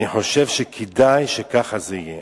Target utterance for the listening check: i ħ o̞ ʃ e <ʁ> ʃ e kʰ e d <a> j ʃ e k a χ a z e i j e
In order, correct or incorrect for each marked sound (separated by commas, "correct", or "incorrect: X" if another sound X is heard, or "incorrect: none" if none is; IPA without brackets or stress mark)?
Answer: incorrect: v, correct